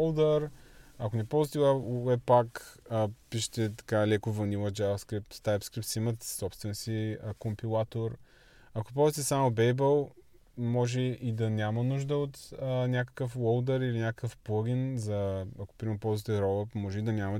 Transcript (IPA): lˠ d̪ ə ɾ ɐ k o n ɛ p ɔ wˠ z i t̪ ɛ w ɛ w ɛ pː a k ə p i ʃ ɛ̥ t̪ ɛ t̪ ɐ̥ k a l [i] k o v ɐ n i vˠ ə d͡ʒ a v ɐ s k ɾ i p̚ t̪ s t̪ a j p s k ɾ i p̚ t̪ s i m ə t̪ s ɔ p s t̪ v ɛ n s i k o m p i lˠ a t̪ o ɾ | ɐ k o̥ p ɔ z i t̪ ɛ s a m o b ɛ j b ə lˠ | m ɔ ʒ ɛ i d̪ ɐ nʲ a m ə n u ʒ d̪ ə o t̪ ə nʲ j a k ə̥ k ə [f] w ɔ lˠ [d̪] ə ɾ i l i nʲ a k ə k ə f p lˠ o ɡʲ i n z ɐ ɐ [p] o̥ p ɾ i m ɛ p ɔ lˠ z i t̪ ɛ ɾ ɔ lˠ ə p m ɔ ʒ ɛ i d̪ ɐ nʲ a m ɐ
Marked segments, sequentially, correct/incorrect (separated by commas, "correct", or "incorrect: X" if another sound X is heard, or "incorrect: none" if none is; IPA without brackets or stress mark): incorrect: ɛ, correct, correct, incorrect: k